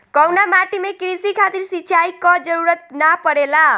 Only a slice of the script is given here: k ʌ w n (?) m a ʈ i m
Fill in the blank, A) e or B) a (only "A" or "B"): B